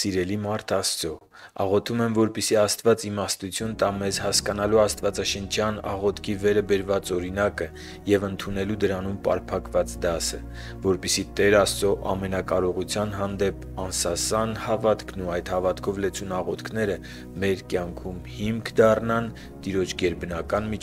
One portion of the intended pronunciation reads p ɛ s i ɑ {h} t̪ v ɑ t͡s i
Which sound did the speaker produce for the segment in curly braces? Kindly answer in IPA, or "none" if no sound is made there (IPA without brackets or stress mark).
s